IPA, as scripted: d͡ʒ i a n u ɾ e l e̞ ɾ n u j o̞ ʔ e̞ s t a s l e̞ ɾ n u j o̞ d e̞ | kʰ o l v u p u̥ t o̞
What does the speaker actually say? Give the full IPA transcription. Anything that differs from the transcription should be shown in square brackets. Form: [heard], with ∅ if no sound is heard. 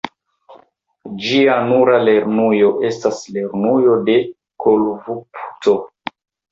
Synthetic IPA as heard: d͡ʒ i a n u ɾ [a] l e̞ ɾ n u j o̞ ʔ e̞ s t a s l e̞ ɾ n u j o̞ d e̞ | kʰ o l v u p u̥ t o̞